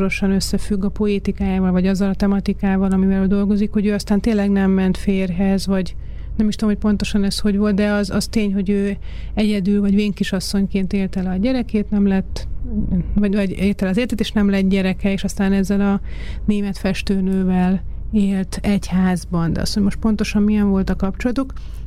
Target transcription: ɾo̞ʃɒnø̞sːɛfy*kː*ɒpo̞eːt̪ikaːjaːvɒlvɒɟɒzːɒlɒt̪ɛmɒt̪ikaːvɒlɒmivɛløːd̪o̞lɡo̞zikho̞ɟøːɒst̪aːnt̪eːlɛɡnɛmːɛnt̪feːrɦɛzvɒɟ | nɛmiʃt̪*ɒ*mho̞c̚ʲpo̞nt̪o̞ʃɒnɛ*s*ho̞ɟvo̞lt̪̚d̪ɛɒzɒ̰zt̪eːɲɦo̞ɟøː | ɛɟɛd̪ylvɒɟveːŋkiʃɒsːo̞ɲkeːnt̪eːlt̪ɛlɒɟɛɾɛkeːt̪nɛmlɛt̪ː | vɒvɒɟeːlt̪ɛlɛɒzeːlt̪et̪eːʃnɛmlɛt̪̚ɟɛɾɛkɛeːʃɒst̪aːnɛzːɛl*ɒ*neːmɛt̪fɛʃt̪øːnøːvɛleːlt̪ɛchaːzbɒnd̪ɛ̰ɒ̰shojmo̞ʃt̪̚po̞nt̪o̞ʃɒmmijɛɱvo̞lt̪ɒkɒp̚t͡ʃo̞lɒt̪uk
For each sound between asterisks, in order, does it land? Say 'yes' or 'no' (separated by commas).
no, no, yes, yes